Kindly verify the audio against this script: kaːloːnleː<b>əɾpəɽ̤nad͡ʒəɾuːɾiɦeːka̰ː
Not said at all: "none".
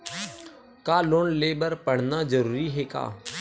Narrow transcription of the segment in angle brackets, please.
b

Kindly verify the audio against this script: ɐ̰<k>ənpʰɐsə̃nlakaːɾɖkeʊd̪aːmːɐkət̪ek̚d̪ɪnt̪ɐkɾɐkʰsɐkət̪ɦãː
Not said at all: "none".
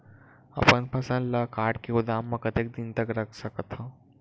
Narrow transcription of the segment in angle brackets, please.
p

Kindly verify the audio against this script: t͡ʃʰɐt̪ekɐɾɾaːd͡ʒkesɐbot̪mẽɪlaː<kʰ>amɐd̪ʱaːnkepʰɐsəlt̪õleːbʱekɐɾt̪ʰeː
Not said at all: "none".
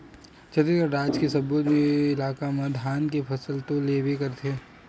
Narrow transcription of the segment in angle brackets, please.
k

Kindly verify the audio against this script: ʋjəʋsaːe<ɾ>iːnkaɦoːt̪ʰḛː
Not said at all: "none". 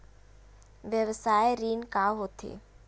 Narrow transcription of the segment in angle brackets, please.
ɾ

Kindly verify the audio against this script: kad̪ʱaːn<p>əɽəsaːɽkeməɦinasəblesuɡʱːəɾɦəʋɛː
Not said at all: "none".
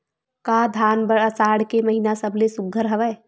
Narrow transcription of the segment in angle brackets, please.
b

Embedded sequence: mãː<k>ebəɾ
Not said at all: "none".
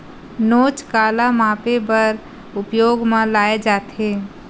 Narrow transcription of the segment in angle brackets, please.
p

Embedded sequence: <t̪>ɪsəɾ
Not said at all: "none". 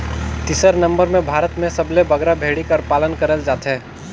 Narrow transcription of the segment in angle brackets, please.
t̪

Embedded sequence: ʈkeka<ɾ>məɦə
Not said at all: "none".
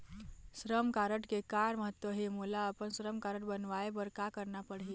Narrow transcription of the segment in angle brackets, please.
ɾ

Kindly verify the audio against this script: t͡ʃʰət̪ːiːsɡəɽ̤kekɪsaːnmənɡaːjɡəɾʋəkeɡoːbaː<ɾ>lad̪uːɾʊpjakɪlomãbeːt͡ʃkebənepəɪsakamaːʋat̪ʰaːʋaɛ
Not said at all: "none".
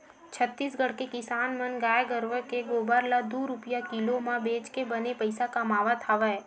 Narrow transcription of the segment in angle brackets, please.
ɾ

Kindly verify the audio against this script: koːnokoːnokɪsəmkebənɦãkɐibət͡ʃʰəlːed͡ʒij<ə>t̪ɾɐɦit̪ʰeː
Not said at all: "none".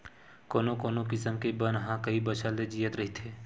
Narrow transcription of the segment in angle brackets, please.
ə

